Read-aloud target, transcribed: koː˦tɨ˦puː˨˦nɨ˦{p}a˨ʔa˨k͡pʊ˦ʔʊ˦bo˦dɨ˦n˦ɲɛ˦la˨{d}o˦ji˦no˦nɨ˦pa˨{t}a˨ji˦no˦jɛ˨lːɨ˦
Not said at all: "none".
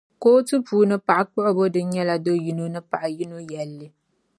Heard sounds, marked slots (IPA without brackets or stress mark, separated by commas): p, d, ʔ